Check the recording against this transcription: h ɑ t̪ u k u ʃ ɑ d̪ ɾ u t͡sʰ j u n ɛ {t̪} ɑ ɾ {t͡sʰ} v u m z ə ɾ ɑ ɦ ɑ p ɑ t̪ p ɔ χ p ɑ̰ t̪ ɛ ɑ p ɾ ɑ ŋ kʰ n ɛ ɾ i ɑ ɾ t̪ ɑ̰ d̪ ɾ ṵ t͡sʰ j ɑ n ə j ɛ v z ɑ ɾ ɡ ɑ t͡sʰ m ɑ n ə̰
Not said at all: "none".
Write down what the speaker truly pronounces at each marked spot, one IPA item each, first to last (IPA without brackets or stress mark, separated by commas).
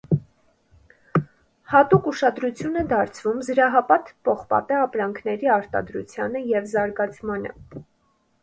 d̪, t͡sʰ